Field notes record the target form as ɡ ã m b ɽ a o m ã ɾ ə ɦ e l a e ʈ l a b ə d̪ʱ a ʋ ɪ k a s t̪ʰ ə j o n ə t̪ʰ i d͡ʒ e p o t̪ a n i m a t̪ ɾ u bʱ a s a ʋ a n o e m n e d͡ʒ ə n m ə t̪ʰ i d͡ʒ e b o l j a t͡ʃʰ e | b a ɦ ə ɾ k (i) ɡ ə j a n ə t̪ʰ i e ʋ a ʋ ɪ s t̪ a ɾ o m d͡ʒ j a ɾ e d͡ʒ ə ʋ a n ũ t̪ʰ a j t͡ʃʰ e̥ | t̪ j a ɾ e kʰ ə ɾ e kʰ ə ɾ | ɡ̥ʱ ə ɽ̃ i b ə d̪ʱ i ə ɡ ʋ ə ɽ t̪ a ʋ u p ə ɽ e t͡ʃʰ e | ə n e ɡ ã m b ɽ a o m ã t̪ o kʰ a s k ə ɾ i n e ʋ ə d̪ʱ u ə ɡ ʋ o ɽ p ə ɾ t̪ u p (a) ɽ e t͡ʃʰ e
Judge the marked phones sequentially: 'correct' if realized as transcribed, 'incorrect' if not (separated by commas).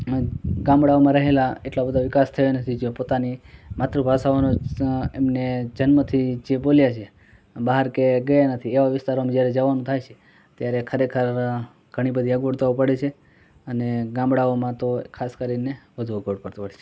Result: incorrect, incorrect